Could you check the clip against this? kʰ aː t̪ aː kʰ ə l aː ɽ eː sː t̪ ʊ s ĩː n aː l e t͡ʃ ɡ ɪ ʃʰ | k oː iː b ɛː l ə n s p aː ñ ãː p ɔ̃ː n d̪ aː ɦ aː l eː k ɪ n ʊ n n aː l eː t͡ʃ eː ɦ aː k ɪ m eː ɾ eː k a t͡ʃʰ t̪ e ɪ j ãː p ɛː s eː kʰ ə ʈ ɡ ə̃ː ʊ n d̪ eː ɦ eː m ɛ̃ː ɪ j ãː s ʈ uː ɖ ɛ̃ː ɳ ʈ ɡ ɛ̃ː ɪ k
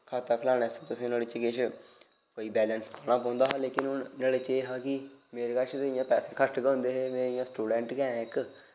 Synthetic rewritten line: kʰ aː t̪ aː kʰ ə l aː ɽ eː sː t̪ ʊ s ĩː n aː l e t͡ʃ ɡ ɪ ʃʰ | k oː iː b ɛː l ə n s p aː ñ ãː p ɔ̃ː n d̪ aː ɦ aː l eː k ɪ n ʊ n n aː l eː t͡ʃ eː ɦ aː k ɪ m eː ɾ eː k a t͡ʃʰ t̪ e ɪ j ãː p ɛː s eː kʰ ə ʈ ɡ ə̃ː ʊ n d̪ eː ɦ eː m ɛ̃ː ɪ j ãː s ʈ uː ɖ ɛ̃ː ɳ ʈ ɡ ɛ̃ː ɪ k

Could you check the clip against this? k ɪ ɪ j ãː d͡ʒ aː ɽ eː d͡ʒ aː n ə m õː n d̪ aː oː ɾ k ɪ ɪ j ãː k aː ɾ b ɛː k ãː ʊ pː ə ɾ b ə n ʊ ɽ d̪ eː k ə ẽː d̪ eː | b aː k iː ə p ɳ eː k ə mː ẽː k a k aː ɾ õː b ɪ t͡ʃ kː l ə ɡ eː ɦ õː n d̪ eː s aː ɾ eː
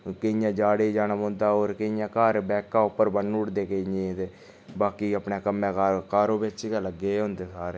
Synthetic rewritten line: k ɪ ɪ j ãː d͡ʒ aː ɽ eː d͡ʒ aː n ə m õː n d̪ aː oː ɾ k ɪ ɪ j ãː k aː ɾ b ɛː k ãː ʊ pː ə ɾ b ə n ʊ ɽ d̪ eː k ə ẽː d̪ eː | b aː k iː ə p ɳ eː k ə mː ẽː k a k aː ɾ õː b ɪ t͡ʃ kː l ə ɡ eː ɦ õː n d̪ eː s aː ɾ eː

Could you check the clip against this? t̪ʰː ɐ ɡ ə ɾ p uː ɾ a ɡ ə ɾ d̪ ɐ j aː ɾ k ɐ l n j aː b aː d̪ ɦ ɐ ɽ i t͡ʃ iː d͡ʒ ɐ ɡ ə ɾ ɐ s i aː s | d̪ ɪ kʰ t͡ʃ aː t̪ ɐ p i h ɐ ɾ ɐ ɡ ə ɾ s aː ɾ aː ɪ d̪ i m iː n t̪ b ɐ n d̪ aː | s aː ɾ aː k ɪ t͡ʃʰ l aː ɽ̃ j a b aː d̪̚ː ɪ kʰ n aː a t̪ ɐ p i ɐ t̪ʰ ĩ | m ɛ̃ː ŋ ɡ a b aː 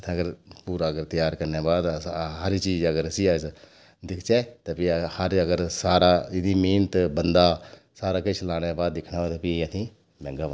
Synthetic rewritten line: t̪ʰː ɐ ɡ ə ɾ p uː ɾ a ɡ ə ɾ t̪ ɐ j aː ɾ k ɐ ɾ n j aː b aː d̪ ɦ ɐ ɾ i t͡ʃ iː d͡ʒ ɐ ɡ ə ɾ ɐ s i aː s | d̪ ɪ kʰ t͡ʃ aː t̪ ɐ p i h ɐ ɾ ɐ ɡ ə ɾ s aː ɾ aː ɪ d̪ i m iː n t̪ b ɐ n d̪ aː | s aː ɾ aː k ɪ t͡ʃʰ l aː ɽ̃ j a b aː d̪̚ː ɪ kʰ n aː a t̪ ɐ p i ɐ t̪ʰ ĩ | m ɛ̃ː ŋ ɡ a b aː

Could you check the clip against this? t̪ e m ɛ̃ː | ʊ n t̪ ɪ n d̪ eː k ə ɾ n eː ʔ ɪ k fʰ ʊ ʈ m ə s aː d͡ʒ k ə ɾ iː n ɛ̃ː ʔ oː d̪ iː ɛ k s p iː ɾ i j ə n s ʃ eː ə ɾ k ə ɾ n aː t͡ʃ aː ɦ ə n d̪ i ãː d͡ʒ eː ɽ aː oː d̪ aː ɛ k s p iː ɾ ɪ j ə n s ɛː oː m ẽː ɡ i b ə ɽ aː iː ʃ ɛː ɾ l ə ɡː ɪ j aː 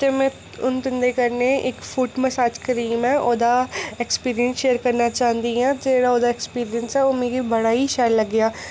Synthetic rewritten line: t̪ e m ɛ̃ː | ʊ n t̪ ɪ n d̪ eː k ə ɾ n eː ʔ ɪ k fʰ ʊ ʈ m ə s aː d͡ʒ k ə ɾ iː m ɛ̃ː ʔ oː d̪ aː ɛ k s p iː ɾ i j ə n s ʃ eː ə ɾ k ə ɾ n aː t͡ʃ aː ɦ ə n d̪ i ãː d͡ʒ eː ɽ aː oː d̪ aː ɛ k s p iː ɾ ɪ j ə n s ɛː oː m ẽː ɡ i b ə ɽ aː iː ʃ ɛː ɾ l ə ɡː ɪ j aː

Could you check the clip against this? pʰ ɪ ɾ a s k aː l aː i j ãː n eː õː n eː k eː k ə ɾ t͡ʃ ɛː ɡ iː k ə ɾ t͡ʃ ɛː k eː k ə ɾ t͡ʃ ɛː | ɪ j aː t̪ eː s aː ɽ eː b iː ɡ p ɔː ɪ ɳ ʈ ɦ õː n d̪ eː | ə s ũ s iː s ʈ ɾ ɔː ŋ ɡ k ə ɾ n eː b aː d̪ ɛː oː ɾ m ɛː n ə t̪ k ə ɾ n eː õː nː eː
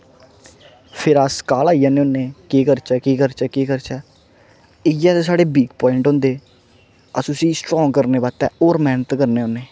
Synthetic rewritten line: pʰ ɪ ɾ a s k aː l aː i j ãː n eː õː n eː k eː k ə ɾ t͡ʃ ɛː k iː k ə ɾ t͡ʃ ɛː k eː k ə ɾ t͡ʃ ɛː | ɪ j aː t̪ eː s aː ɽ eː b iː ɡ p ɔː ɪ ɳ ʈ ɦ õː n d̪ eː | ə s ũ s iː s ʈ ɾ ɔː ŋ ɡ k ə ɾ n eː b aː t̪ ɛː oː ɾ m ɛː n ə t̪ k ə ɾ n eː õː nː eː

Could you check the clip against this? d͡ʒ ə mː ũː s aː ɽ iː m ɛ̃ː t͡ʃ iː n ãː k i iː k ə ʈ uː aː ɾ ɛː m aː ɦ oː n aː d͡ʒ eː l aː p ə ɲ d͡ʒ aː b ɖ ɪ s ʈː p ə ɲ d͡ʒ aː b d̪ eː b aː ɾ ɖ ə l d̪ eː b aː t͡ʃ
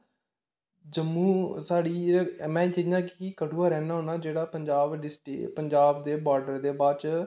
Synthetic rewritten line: d͡ʒ ə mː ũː s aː ɽ iː m ɛ̃ː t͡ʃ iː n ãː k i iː k ə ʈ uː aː ɾ ɛː n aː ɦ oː n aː d͡ʒ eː ɽ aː p ə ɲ d͡ʒ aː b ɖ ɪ s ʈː p ə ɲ d͡ʒ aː b d̪ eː b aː ɾ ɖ ə ɾ d̪ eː b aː t͡ʃ

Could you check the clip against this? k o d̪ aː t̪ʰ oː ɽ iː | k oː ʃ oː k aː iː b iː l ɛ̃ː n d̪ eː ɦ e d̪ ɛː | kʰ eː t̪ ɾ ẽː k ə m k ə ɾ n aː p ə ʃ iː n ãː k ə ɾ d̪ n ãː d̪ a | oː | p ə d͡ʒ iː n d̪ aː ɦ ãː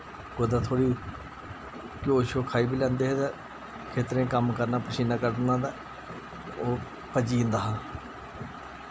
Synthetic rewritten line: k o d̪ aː t̪ʰ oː ɽ iː | k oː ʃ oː kʰ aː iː b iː l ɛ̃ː n d̪ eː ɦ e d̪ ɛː | kʰ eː t̪ ɾ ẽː k ə m k ə ɾ n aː p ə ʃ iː n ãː k ə ɾ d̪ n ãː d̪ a | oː | p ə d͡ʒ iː n d̪ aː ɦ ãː

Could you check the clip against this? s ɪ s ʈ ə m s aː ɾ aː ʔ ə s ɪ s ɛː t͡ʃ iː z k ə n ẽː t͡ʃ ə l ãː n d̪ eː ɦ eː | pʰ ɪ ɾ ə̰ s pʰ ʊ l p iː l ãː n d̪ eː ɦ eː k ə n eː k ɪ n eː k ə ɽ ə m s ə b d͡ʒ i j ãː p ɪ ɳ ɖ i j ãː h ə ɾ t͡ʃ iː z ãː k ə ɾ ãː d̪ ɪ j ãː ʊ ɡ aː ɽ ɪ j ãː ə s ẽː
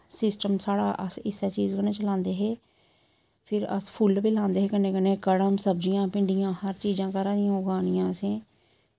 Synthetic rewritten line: s ɪ s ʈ ə m s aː ɽ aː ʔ ə s ɪ s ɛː t͡ʃ iː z k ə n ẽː t͡ʃ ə l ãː n d̪ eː ɦ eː | pʰ ɪ ɾ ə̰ s pʰ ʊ l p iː l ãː n d̪ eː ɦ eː k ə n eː k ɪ n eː k ə ɽ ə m s ə b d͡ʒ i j ãː p ɪ ɳ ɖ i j ãː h ə ɾ t͡ʃ iː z ãː k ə ɾ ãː d̪ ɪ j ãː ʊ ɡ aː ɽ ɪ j ãː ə s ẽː

